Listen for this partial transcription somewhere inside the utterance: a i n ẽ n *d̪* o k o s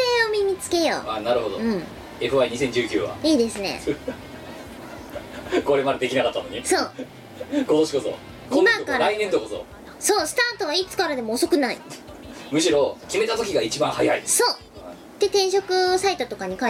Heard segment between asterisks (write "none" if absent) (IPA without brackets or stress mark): t̪